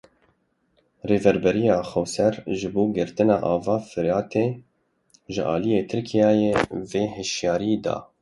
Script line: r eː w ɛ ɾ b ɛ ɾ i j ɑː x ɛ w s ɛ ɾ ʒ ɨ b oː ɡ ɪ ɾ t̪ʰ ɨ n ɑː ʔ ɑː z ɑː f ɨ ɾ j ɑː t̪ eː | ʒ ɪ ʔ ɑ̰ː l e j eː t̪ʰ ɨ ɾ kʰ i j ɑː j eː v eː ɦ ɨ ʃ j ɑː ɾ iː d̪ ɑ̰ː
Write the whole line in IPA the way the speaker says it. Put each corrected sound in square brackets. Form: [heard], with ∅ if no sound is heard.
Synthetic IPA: r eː [v] ɛ ɾ b ɛ ɾ i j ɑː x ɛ w s ɛ ɾ ʒ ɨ b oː ɡ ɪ ɾ [t̪] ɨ n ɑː ʔ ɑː [v] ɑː f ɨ ɾ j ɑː t̪ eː | ʒ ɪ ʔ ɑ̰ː l [i] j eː t̪ʰ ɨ ɾ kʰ i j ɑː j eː v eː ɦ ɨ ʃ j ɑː ɾ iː d̪ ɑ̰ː